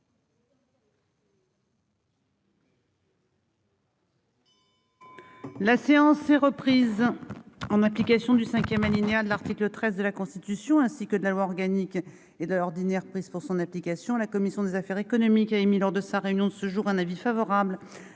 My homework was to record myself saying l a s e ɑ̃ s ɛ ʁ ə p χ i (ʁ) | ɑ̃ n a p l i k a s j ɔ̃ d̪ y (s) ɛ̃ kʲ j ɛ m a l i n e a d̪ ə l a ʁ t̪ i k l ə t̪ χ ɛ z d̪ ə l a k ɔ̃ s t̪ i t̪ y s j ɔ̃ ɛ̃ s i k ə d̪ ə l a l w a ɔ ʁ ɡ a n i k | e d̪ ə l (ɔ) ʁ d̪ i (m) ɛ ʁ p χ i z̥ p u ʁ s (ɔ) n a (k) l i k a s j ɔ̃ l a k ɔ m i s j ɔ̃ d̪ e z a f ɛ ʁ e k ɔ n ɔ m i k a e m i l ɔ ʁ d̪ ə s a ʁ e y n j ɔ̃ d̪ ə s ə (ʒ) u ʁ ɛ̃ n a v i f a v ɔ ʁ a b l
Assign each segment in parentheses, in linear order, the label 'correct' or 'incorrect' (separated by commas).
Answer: incorrect, correct, correct, incorrect, incorrect, incorrect, correct